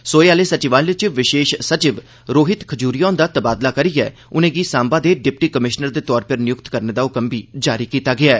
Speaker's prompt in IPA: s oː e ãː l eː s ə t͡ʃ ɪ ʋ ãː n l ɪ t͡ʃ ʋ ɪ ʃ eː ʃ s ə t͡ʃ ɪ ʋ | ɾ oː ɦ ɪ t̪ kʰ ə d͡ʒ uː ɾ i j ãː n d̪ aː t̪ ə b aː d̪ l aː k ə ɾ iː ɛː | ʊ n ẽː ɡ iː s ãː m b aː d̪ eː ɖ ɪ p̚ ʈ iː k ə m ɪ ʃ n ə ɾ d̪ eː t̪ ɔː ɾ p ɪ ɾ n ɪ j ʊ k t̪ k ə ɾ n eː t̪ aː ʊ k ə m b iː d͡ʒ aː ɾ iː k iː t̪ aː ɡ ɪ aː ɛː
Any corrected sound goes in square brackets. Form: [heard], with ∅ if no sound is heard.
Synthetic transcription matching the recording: s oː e [aː] l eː s ə t͡ʃ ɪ ʋ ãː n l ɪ t͡ʃ ʋ ɪ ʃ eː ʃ s ə t͡ʃ ɪ ʋ | ɾ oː ɦ ɪ t̪ kʰ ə d͡ʒ uː ɾ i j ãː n d̪ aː t̪ ə b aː d̪ l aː k ə ɾ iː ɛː | ʊ n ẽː ɡ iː s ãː m b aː d̪ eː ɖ ɪ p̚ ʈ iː k ə m ɪ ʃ n ə ɾ d̪ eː t̪ ɔː ɾ p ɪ ɾ n ɪ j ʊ k t̪ k ə ɾ n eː [d̪] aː ʊ k ə m b iː d͡ʒ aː ɾ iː k iː t̪ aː ɡ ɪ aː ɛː